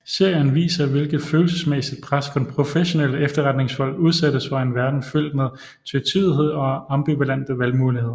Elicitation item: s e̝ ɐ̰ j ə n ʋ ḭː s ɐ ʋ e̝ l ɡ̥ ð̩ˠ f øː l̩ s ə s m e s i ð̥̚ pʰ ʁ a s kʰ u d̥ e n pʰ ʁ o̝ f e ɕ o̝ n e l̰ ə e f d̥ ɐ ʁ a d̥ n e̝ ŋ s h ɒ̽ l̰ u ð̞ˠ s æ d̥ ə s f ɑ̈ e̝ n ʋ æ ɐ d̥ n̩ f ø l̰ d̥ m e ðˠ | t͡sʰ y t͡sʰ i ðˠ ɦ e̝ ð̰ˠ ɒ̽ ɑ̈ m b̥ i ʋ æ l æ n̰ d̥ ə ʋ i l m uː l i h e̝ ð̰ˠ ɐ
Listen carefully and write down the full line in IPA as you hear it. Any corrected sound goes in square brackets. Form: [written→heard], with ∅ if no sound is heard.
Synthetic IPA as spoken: s e̝ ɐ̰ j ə n ʋ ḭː s ɐ ʋ e̝ l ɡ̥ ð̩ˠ f øː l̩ s ə s m e s i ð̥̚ pʰ ʁ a s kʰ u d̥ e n pʰ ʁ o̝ f e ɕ o̝ n e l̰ ə e f d̥ ɐ ʁ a d̥ n e̝ ŋ s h ɒ̽ l̰ u ð̞ˠ s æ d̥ ə s f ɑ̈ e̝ n ʋ æ ɐ d̥ n̩ f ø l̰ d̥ m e ðˠ | t͡sʰ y t͡sʰ i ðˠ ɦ e̝ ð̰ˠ ɒ̽ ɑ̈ m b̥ i ʋ æ l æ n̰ d̥ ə ʋ [i→æ] l m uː l i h e̝ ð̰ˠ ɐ